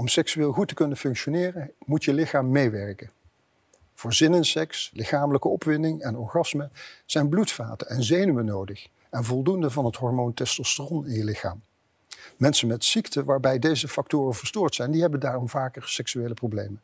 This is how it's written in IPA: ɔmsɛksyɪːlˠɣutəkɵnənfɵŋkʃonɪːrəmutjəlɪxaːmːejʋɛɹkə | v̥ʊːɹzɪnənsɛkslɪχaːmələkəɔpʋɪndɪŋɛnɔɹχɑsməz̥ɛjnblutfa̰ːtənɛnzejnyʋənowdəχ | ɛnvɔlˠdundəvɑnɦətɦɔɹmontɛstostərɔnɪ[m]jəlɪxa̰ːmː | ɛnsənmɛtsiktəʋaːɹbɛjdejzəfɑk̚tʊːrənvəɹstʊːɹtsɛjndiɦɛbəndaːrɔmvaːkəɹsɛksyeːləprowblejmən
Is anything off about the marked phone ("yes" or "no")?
yes